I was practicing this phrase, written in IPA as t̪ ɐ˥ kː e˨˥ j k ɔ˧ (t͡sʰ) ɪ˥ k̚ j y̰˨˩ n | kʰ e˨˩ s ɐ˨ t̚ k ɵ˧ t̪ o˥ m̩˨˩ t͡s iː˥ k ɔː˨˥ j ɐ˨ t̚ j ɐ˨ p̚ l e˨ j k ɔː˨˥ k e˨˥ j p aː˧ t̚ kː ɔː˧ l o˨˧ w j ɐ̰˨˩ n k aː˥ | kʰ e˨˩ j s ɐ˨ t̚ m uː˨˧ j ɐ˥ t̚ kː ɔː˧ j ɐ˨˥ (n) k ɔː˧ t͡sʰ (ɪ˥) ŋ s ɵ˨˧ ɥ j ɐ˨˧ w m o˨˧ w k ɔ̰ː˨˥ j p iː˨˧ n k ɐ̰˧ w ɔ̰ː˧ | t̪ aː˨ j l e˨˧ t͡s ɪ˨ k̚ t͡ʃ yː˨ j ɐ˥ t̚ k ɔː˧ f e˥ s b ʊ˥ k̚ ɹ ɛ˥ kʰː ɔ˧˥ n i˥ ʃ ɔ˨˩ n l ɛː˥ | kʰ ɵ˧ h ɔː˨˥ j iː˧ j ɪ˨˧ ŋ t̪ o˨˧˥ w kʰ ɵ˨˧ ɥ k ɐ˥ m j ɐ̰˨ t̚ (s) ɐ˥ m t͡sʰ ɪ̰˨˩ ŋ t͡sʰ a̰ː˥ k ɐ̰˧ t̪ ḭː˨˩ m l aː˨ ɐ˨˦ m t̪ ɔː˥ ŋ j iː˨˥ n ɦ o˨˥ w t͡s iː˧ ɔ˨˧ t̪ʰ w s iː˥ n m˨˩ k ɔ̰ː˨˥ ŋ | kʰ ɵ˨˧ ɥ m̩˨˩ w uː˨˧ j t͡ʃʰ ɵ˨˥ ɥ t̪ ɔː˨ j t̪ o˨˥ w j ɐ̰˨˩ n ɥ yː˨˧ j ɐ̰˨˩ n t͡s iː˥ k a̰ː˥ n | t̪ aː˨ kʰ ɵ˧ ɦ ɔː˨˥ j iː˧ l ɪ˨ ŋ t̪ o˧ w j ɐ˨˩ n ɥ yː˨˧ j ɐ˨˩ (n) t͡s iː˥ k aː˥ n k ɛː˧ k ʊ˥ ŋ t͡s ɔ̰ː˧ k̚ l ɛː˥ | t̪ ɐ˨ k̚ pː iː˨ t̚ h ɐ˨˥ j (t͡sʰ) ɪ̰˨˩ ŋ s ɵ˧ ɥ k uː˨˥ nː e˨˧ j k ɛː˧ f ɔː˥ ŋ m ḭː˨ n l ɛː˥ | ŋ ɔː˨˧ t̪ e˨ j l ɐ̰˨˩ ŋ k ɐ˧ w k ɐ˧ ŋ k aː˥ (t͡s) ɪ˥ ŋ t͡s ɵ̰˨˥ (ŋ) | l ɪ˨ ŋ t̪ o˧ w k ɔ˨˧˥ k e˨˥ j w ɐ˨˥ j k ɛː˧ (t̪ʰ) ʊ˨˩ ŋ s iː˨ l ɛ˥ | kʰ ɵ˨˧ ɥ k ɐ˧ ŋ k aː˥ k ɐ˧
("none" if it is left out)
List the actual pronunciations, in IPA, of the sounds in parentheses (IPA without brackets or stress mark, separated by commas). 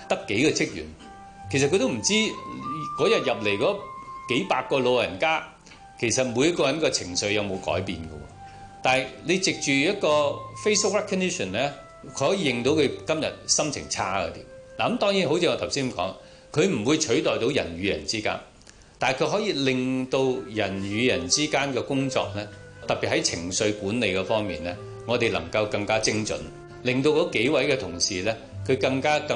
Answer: t͡sʰ, n, ɪ˨˩, s, n, t͡sʰ, t͡s, n, t̪ʰ